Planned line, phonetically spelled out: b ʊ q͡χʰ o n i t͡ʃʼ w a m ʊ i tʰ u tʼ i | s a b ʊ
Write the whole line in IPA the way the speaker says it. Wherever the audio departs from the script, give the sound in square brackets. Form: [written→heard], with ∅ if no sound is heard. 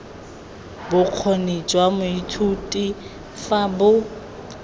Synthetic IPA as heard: b ʊ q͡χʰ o n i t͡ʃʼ w a m ʊ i tʰ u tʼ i | [s→f] a b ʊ